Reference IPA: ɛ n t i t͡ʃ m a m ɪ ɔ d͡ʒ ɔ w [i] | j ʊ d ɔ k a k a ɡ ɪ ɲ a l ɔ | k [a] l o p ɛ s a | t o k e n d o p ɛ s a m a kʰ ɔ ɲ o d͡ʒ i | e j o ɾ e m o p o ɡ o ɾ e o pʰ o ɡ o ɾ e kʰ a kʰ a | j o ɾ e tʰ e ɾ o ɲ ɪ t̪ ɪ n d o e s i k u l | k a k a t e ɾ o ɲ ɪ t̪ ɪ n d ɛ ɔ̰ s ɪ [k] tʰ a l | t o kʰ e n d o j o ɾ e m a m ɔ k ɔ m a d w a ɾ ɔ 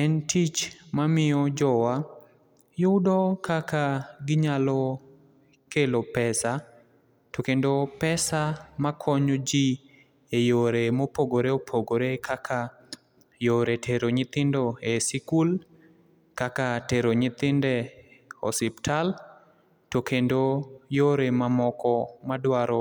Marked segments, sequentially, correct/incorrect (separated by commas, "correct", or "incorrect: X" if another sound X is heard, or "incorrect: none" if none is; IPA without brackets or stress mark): incorrect: a, incorrect: e, incorrect: p